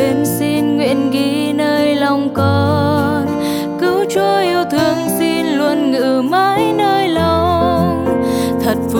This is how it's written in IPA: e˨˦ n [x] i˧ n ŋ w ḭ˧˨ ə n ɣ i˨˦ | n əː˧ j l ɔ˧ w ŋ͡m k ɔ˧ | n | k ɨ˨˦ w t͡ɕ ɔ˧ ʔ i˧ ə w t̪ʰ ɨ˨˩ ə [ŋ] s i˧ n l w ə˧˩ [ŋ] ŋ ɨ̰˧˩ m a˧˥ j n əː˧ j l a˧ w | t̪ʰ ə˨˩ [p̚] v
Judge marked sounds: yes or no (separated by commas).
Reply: no, yes, no, no